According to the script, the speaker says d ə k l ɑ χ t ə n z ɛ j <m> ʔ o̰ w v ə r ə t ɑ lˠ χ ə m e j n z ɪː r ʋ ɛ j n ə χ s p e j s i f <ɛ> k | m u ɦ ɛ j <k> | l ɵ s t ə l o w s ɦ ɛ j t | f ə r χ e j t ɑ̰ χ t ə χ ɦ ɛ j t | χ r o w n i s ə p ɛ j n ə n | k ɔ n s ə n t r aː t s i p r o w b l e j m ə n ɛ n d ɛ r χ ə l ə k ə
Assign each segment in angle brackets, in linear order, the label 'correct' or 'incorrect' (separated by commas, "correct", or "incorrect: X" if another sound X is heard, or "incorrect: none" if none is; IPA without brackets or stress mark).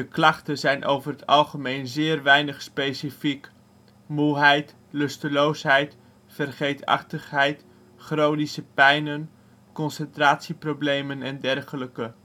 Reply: incorrect: n, incorrect: i, incorrect: t